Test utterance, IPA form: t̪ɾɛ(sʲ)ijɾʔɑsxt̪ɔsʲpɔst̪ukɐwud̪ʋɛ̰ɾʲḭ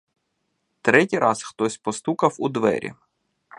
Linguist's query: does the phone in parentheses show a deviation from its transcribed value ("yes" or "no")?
yes